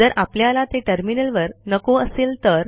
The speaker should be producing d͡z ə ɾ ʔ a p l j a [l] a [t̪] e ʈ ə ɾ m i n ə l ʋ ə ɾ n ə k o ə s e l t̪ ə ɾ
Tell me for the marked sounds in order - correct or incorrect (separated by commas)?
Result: correct, correct